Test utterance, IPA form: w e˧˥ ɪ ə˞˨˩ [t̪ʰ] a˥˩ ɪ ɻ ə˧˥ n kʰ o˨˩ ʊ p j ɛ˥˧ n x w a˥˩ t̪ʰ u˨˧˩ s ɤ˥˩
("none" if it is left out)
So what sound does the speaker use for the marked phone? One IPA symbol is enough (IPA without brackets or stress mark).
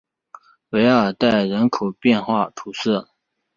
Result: t̪